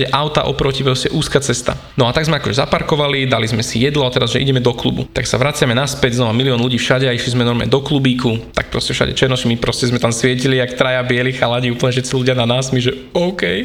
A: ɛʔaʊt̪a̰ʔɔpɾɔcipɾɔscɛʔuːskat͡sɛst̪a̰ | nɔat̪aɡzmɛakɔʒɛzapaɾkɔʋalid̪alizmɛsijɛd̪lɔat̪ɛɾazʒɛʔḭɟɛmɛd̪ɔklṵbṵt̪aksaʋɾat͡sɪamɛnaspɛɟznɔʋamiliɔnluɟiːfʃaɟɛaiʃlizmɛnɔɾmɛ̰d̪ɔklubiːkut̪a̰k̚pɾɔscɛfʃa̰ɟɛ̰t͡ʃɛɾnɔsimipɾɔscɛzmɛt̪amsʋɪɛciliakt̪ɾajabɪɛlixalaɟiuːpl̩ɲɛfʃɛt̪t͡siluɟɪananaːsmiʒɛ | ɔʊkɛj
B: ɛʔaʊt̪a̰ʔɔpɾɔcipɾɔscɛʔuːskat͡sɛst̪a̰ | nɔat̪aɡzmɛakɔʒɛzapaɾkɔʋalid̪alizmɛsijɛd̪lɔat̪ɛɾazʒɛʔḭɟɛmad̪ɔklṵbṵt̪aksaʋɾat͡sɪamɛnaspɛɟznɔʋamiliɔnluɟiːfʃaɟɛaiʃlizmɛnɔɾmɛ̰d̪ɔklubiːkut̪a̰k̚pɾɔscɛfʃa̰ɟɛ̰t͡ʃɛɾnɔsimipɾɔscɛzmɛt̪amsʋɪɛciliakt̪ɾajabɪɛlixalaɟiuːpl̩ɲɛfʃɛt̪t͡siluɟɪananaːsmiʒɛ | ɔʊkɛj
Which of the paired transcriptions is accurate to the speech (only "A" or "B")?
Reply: A